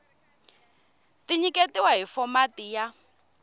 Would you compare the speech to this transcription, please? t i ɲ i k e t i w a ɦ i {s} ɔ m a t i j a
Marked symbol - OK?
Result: no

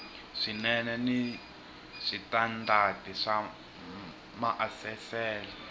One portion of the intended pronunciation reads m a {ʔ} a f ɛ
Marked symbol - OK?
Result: yes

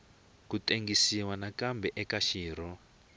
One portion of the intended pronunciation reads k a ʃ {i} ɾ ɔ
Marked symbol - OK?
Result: no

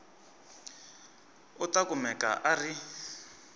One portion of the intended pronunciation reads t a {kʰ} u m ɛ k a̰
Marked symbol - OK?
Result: no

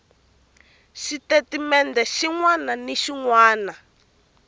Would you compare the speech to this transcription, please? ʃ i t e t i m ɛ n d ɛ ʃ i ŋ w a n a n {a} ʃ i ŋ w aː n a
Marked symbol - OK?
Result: no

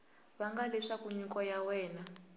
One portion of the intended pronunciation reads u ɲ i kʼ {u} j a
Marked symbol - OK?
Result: no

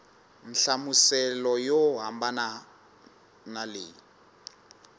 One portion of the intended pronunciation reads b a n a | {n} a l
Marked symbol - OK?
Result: yes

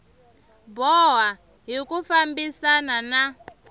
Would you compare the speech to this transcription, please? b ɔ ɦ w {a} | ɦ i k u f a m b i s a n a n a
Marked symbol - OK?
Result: yes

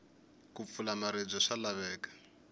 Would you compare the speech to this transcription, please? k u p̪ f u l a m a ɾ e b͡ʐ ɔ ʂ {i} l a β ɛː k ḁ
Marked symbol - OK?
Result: no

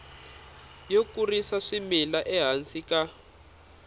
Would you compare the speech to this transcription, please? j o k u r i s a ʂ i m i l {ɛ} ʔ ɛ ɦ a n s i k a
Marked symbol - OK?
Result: no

